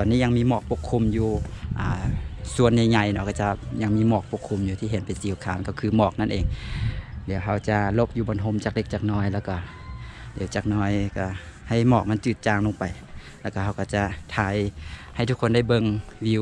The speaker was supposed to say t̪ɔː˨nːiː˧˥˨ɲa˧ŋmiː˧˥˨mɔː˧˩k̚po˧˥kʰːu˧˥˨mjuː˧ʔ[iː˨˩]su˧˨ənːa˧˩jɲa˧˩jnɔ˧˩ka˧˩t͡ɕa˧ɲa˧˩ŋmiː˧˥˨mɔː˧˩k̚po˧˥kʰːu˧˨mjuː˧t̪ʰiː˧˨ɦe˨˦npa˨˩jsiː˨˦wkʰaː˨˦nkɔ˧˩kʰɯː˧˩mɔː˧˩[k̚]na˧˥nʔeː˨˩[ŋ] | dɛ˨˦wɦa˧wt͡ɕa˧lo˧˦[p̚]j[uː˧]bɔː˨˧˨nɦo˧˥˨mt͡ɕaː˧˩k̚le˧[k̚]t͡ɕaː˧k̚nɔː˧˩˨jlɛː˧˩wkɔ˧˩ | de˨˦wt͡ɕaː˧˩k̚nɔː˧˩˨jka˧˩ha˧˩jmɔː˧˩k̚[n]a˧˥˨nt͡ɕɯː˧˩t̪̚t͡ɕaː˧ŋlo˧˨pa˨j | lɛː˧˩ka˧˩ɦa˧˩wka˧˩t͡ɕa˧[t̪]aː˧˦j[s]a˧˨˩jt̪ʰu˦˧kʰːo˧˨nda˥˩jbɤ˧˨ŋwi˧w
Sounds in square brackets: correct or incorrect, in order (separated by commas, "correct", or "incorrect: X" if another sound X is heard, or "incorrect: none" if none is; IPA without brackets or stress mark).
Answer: incorrect: aː˨˩, correct, correct, correct, correct, correct, incorrect: m, incorrect: t̪ʰ, incorrect: h